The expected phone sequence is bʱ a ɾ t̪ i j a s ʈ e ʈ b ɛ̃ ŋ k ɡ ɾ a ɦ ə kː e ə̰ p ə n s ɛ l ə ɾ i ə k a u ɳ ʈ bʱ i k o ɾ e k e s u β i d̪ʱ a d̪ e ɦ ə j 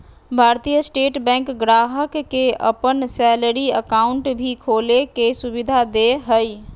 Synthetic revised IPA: bʱ a ɾ t̪ i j ə s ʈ e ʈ b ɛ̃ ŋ k ɡ ɾ a ɦ ə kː e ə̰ p ə n s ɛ l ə ɾ i ə k a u ɳ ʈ bʱ i kʰ o l e k e s u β i d̪ʱ a d̪ e ɦ ə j